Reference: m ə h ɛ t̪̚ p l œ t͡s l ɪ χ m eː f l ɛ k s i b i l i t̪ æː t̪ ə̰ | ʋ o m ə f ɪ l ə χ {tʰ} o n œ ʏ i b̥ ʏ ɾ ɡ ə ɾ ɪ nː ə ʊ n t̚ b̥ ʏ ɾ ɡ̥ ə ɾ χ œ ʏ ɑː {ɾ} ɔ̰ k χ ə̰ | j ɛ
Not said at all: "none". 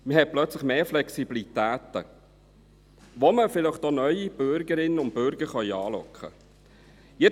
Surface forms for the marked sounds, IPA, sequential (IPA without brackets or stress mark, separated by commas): t, l